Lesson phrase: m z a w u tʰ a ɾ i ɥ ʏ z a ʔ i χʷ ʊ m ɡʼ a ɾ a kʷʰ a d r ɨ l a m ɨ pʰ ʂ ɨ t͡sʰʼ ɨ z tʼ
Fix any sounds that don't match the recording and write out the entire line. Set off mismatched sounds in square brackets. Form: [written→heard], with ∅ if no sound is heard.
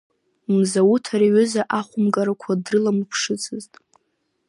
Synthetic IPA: m z a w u tʰ a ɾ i ɥ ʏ z a ʔ [i→a] χʷ ʊ m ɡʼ a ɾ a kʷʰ a d r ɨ l a m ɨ pʰ ʂ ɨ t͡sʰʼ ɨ z tʼ